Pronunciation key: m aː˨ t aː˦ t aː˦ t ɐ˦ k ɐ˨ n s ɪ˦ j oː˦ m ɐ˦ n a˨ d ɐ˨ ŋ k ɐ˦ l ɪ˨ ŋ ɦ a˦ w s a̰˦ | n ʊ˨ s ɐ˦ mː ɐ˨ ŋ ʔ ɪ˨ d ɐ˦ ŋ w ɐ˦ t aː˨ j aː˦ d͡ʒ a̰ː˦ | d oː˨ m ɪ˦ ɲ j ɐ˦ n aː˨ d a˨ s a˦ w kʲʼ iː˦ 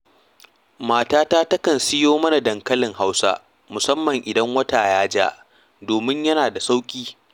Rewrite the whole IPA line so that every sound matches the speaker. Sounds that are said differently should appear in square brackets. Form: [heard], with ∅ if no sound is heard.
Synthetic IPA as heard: m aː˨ t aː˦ t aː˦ t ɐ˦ k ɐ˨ n s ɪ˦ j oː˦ m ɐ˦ n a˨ d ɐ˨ ŋ k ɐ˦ l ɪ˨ ŋ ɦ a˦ w s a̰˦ | [m] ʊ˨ s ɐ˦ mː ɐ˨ ŋ ʔ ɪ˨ d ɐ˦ ŋ w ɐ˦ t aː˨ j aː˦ d͡ʒ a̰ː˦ | d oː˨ m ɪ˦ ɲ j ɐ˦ n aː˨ d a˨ s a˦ w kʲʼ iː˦